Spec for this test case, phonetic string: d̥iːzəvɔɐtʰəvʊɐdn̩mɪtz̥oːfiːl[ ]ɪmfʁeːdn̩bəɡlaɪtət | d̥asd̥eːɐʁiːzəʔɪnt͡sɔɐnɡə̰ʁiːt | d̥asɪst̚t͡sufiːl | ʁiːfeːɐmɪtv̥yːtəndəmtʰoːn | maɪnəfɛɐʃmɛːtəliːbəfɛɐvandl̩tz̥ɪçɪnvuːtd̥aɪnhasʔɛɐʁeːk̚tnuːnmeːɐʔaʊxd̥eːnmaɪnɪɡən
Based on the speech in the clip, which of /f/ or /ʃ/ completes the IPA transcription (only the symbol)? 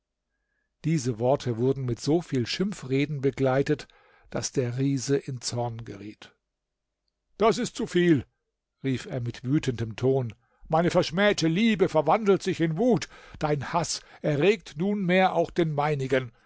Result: ʃ